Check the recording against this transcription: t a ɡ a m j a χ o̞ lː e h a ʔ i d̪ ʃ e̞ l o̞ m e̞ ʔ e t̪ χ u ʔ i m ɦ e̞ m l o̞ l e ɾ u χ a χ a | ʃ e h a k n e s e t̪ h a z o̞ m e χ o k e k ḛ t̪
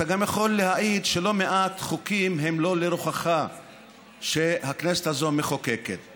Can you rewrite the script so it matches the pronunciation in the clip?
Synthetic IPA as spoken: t a ɡ a m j a χ o̞ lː e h a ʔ i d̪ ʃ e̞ l o̞ m e̞ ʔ a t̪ χ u k i m ɦ e̞ m l o̞ l e ɾ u χ a χ a | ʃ e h a k n e s e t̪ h a z o̞ m e χ o k e k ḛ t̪